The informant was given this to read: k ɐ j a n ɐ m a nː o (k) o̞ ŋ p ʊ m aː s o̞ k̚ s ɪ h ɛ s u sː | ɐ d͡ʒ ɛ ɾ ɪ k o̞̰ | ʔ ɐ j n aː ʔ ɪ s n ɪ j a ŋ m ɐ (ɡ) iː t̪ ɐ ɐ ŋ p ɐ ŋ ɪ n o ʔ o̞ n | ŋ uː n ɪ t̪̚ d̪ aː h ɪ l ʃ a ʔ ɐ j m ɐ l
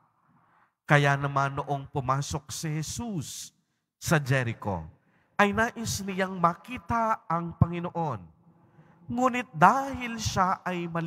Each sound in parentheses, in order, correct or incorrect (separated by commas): incorrect, incorrect